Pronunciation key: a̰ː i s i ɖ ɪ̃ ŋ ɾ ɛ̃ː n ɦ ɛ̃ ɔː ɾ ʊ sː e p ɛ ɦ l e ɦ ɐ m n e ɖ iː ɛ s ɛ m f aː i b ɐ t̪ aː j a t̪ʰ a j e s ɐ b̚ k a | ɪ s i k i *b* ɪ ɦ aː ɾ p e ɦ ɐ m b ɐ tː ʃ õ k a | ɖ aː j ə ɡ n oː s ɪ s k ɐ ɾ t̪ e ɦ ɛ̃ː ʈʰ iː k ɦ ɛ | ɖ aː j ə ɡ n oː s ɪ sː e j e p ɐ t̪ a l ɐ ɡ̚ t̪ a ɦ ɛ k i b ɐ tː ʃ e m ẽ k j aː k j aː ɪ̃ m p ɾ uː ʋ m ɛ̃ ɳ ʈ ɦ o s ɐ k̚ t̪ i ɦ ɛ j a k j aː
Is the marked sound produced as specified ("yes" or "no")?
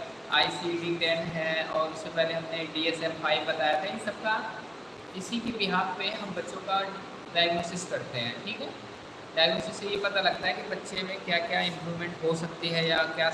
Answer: yes